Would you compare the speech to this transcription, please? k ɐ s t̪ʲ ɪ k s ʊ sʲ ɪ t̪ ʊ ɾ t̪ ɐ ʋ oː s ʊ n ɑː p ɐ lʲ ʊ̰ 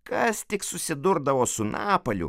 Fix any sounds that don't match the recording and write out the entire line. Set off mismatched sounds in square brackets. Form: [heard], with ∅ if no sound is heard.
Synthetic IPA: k ɐ s t̪ʲ ɪ k s ʊ sʲ ɪ [d̪] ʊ ɾ [d̪] ɐ ʋ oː s ʊ n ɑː p ɐ lʲ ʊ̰